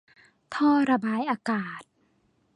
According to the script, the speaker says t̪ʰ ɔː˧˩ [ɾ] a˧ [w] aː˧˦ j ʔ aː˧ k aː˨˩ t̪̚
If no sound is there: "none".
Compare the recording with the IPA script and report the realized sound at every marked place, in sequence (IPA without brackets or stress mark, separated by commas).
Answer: ɾ, b